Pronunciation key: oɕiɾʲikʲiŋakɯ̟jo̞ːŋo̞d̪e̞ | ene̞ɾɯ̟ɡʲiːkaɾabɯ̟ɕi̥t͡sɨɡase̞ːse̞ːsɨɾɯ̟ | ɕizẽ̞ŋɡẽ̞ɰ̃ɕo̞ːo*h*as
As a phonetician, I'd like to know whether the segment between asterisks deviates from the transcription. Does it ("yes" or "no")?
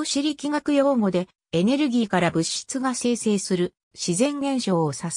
yes